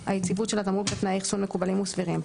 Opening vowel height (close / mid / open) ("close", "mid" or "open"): open